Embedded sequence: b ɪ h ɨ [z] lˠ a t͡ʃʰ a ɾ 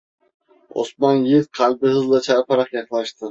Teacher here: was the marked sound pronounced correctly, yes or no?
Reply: yes